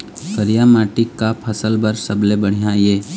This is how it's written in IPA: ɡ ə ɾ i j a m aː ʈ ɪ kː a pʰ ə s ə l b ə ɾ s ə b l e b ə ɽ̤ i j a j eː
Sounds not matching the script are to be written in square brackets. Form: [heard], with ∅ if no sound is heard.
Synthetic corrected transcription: [k] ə ɾ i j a m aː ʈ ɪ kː a pʰ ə s ə l b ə ɾ s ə b l e b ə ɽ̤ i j a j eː